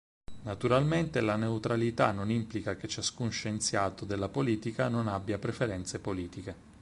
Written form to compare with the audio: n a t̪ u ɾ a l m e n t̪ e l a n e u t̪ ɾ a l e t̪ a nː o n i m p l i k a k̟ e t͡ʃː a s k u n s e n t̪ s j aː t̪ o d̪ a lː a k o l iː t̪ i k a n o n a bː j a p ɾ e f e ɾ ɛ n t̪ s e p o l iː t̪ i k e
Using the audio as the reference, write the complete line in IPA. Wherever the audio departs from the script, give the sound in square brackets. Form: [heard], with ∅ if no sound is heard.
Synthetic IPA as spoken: n a t̪ u ɾ a l m e n t̪ e l a n e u t̪ ɾ a l [i] t̪ a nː o n i m p l i k a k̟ e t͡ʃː a s k u n [ʃ] e n t̪ s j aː t̪ o d̪ [e] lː a [p] o l iː t̪ i k a n o n a bː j a p ɾ e f e ɾ ɛ n t̪ s e p o l iː t̪ i k e